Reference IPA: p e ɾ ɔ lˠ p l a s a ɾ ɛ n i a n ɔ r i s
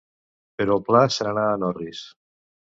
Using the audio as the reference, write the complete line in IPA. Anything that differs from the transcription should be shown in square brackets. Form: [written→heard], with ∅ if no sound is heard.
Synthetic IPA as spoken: p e ɾ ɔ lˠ p l a s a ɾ [ɛ→a] n [i→a] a n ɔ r i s